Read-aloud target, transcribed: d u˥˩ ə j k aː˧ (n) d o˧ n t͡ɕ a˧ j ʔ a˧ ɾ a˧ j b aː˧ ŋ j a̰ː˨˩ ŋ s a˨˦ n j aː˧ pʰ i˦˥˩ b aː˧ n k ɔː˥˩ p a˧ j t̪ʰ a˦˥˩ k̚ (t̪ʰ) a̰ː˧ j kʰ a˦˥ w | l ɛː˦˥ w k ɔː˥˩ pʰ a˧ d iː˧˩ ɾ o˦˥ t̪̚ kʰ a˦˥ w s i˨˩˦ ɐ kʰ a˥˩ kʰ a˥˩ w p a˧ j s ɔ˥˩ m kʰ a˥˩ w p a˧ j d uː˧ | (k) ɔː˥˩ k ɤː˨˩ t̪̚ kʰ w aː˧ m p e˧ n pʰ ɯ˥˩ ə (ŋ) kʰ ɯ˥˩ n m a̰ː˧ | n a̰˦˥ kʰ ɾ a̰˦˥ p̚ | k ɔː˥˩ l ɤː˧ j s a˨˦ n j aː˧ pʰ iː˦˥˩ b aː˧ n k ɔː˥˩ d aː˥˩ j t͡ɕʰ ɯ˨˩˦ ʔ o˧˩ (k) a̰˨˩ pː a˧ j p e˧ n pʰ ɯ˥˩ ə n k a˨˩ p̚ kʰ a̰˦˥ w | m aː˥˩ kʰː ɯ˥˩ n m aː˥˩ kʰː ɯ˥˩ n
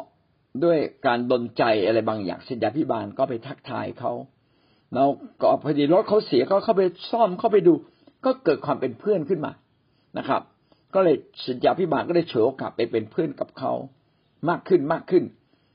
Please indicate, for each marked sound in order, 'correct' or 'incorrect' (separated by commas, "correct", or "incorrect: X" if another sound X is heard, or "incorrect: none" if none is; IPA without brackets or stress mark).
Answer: correct, correct, correct, incorrect: n, correct